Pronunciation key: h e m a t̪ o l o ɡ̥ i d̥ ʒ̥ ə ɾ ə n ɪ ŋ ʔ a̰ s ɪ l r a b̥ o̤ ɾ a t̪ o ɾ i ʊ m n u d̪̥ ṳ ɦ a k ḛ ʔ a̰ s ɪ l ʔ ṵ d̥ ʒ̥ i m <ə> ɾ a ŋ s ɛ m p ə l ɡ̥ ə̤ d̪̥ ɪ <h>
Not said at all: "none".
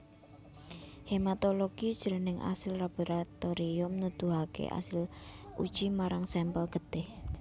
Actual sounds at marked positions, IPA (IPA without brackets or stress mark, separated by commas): a, h